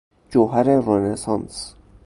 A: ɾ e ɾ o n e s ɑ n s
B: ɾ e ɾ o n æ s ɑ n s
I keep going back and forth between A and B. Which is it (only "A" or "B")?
A